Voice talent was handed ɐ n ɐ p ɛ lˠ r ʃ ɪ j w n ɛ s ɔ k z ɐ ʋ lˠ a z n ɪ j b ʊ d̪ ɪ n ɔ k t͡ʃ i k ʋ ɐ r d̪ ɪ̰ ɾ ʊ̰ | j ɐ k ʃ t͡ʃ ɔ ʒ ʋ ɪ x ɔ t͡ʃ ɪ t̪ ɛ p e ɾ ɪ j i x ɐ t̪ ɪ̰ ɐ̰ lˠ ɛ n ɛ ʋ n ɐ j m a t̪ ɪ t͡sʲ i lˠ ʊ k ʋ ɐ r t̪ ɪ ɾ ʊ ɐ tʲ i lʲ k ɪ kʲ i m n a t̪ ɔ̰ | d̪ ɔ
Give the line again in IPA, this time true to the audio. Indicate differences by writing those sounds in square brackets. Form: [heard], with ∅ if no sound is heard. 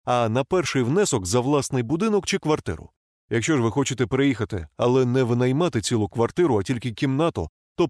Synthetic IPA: ɐ n ɐ p ɛ [∅] r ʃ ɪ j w n ɛ s ɔ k z ɐ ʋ lˠ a [s] n ɪ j b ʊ d̪ ɪ n ɔ k t͡ʃ [ɪ] k ʋ ɐ r [t̪] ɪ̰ ɾ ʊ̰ | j ɐ k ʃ t͡ʃ ɔ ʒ ʋ ɪ x ɔ t͡ʃ ɪ t̪ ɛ p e ɾ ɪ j i x ɐ t̪ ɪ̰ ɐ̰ lˠ ɛ n ɛ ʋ n ɐ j m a t̪ ɪ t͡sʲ i lˠ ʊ k ʋ ɐ r t̪ ɪ ɾ ʊ ɐ tʲ i lʲ k ɪ kʲ i m n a t̪ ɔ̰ | [t̪] ɔ